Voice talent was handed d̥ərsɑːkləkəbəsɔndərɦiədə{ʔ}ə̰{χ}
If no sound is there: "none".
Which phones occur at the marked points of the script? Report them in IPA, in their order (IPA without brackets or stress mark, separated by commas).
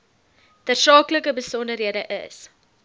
ʔ, s